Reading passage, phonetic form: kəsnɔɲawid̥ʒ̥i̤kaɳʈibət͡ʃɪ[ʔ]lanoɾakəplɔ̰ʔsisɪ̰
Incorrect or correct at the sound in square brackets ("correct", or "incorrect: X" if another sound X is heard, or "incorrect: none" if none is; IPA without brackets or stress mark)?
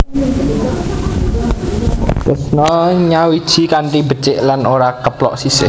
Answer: correct